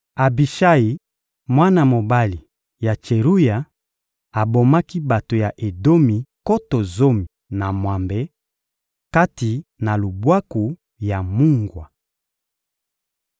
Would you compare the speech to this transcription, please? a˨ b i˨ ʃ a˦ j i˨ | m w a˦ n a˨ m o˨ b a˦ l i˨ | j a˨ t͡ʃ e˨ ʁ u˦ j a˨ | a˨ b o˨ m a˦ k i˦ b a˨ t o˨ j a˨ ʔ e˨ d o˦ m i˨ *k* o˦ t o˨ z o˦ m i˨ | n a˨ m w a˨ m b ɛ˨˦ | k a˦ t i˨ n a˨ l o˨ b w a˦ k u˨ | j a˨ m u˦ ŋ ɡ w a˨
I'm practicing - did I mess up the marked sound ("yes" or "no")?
no